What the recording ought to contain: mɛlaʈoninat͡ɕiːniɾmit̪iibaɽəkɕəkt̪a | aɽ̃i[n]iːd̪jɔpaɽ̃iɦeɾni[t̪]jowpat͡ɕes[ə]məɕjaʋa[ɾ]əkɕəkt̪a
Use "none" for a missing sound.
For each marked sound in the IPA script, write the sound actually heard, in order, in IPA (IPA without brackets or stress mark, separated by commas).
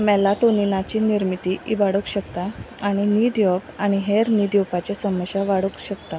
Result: n, d̪, ə, ɽ